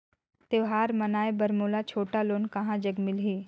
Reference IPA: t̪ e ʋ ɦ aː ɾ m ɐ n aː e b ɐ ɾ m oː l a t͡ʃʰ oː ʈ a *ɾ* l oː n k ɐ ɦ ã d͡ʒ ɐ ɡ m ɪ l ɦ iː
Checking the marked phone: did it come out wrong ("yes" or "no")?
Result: yes